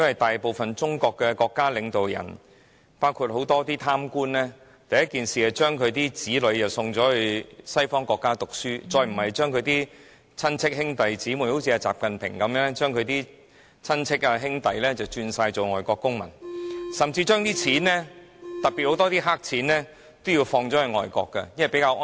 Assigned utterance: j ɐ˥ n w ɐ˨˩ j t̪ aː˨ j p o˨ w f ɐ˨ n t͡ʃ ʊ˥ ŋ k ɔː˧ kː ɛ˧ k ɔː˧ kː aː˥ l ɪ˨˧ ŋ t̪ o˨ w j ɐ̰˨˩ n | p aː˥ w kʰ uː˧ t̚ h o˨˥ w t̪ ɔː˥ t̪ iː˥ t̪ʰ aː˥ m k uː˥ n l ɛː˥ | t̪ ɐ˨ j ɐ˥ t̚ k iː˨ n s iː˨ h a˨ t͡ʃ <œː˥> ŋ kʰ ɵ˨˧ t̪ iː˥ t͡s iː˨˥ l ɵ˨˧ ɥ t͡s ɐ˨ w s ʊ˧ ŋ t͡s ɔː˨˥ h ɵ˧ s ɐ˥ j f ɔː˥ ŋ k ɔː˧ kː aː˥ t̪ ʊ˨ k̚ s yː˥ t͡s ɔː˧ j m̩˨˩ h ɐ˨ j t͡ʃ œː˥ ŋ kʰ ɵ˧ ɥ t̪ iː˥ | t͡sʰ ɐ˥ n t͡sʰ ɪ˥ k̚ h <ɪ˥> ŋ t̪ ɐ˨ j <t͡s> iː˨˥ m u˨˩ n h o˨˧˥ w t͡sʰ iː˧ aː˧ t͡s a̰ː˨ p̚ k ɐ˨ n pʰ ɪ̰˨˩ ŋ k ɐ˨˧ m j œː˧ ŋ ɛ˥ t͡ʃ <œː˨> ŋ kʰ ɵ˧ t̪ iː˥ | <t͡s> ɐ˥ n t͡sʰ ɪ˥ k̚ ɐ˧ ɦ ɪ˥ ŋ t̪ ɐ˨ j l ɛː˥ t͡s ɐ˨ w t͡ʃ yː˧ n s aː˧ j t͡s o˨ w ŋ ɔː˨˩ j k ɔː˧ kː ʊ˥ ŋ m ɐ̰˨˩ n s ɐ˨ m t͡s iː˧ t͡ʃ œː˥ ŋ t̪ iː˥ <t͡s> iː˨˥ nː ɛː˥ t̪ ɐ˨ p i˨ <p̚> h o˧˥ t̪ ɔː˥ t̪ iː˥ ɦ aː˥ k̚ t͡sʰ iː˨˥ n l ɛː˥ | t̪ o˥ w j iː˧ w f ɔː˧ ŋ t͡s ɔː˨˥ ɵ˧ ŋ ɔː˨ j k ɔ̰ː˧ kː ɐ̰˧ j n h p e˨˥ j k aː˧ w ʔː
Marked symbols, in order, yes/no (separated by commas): yes, yes, yes, no, no, no, no